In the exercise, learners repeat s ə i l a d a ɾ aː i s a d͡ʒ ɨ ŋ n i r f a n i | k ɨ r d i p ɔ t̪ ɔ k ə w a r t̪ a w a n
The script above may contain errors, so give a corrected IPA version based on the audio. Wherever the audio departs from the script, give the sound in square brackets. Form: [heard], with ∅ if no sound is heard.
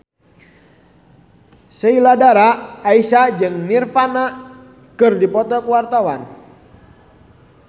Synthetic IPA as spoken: s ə i l a d a ɾ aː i s a d͡ʒ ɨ ŋ n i r f a n [a] | k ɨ r d i p ɔ t̪ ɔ k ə w a r t̪ a w a n